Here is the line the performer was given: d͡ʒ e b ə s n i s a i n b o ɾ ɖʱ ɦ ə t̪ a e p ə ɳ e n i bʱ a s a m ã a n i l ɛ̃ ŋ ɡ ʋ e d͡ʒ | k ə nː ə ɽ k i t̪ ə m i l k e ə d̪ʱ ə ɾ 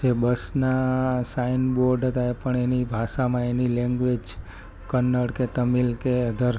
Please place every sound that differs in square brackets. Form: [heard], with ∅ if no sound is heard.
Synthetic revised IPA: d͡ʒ e b ə s n [a] s a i n b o ɾ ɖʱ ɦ ə t̪ a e p ə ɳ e n i bʱ a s a m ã [e] n i l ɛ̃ ŋ ɡ ʋ e d͡ʒ | k ə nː ə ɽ k [e] t̪ ə m i l k e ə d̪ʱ ə ɾ

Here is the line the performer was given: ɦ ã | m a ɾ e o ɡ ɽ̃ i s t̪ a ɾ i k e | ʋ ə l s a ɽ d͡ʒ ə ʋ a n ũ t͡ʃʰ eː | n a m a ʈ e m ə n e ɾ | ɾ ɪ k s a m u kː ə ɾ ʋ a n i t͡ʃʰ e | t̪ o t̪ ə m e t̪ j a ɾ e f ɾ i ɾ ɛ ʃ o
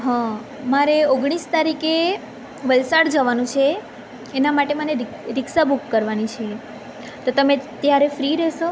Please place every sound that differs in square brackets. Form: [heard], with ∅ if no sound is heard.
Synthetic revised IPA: ɦ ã | m a ɾ e o ɡ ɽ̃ i s t̪ a ɾ i k e | ʋ ə l s a ɽ d͡ʒ ə ʋ a n ũ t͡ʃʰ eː | n a m a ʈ e m ə n e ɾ | ɾ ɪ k s a [b] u kː ə ɾ ʋ a n i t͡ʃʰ e | t̪ o t̪ ə m e t̪ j a ɾ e f ɾ i ɾ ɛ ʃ o

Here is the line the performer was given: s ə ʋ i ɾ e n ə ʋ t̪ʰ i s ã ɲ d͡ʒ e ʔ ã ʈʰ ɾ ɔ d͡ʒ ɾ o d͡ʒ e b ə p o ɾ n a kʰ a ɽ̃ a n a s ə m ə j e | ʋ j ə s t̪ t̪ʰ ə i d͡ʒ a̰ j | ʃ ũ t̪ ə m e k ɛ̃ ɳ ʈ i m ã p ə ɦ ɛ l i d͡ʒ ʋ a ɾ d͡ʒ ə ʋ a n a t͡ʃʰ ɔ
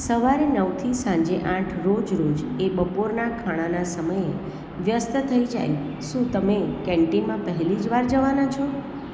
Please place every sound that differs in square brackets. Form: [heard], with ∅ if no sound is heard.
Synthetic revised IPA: s ə ʋ [a] ɾ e n ə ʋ t̪ʰ i s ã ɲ d͡ʒ e ʔ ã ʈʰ ɾ [o] d͡ʒ ɾ o d͡ʒ e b ə p o ɾ n a kʰ a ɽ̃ a n a s ə m ə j e | ʋ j ə s t̪ t̪ʰ ə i d͡ʒ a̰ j | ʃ ũ t̪ ə m e k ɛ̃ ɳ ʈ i m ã p ə ɦ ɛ l i d͡ʒ ʋ a ɾ d͡ʒ ə ʋ a n a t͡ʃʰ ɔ

